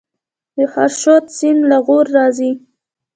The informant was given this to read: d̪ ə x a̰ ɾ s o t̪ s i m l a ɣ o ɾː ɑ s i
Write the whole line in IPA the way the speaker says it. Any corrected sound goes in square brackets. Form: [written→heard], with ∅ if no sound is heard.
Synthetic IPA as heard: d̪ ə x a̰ ɾ [s→ʃ] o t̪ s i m l a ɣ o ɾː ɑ [s→z] i